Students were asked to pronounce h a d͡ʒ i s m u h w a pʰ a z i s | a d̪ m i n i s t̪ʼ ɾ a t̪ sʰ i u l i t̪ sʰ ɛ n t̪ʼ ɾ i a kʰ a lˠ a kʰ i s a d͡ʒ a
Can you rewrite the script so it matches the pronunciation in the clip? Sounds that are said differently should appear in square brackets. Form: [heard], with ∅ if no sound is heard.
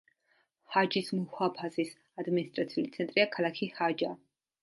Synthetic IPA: h a d͡ʒ i s m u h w a pʰ a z i s | a d̪ m i n i s t̪ʼ ɾ a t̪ sʰ i u l i t̪ sʰ ɛ n t̪ʼ ɾ i a kʰ a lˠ a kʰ i [h] a d͡ʒ a